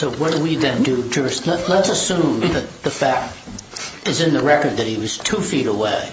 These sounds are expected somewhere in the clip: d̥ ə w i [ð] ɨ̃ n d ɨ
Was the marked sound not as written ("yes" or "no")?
no